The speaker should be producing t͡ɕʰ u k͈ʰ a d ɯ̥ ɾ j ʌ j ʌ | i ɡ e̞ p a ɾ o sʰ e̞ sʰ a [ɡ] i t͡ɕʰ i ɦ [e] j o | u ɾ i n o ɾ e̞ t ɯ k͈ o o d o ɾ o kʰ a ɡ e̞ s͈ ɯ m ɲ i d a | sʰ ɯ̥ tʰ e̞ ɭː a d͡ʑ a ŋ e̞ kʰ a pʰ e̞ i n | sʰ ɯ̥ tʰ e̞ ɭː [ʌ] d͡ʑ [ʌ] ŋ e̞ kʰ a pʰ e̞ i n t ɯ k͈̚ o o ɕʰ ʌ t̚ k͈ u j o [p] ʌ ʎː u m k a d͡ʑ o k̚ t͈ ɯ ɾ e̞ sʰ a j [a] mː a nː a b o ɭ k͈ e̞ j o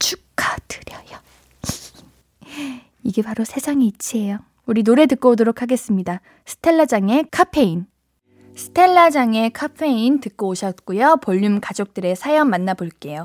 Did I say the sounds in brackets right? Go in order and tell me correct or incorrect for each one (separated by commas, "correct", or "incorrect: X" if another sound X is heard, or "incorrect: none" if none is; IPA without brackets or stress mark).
incorrect: ŋ, correct, incorrect: a, incorrect: a, correct, incorrect: ʌ